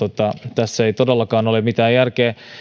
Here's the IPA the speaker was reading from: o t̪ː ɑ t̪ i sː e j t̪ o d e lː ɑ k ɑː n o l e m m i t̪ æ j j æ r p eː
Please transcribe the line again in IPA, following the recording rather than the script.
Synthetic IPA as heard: o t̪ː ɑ t̪ æ sː e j t̪ o d e lː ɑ k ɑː n o l e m m i t̪ æː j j æ r k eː